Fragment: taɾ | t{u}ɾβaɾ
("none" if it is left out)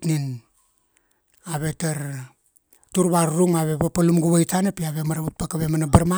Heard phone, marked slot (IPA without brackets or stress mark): u